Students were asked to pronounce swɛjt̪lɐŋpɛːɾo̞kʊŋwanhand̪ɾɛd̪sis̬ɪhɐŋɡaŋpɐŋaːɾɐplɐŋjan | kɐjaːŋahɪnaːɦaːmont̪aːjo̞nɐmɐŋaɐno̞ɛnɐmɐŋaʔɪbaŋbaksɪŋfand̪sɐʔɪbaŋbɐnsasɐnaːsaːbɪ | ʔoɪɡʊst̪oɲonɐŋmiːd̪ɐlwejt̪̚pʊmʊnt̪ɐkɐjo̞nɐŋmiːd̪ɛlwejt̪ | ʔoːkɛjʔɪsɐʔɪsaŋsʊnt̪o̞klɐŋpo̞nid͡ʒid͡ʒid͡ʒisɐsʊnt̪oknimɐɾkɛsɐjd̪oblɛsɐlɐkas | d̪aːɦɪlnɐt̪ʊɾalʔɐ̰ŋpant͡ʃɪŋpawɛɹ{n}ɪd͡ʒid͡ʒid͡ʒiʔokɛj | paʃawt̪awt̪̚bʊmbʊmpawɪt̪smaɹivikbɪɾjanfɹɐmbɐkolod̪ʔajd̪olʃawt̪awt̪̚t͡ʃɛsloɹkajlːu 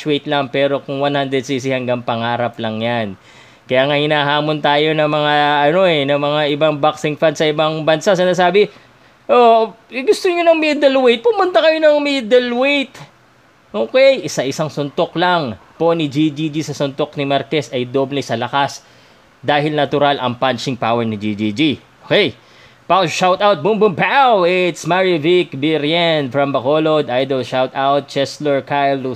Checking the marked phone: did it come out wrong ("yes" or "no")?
no